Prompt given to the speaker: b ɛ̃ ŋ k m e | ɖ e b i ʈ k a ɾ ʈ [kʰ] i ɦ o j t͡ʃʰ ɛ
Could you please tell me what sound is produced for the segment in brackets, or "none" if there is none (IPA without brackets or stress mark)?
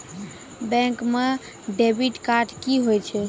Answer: k